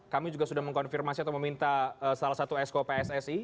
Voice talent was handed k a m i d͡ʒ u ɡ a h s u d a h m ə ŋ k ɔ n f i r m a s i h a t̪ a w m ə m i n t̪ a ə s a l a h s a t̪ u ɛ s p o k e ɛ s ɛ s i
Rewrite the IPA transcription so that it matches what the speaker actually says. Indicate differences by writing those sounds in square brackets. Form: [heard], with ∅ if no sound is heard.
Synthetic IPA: k a m i d͡ʒ u ɡ a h s u d a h m ə ŋ k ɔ n f i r m a s i [∅] a t̪ a w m ə m i n t̪ a ə s a l a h s a t̪ u ɛ s [k] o [p] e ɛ s ɛ s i